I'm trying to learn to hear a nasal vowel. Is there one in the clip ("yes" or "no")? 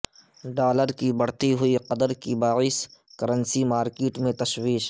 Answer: yes